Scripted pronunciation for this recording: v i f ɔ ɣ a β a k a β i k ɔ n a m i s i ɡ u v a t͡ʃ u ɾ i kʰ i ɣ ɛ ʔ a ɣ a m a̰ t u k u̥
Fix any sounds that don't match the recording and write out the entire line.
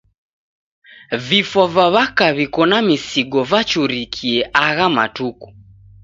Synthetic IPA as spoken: v i f ɔ v a β a k a β i k ɔ n a m i s i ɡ ɔ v a t͡ʃ u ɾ i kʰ i ɛ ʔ a ɣ a m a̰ t u k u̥